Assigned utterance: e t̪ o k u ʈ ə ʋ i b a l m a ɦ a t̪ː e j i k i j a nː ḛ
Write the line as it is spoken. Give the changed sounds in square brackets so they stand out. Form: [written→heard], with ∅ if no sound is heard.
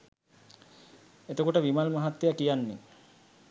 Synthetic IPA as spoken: e t̪ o k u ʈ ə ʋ i [b→m] a l m a ɦ a t̪ː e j [i→a] k i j a nː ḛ